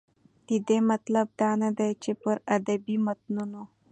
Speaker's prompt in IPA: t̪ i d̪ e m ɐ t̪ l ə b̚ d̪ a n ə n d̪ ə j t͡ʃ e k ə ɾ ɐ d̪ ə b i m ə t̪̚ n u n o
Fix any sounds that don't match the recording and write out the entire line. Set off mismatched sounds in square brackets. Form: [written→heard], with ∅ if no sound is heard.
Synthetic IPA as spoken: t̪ i d̪ e m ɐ t̪ l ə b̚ d̪ a n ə [n→∅] d̪ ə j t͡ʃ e [k→p] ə ɾ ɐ d̪ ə b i m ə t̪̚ n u n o